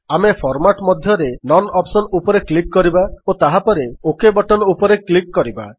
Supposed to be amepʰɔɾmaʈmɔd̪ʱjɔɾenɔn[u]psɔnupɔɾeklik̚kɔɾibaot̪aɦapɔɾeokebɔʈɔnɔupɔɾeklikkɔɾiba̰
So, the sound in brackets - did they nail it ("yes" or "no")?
no